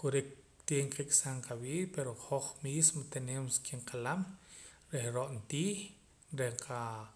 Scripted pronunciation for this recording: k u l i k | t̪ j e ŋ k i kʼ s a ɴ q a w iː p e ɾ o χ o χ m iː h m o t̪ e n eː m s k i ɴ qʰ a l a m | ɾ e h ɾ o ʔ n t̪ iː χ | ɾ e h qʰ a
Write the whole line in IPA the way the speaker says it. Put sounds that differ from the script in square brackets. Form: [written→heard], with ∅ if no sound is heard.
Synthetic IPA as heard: k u [l→ɾ] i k | t̪ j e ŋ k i kʼ s a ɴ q a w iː p e ɾ o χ o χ m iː [h→s] m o t̪ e n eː m s k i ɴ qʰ a l a m | ɾ e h ɾ o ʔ n t̪ iː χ | ɾ e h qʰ a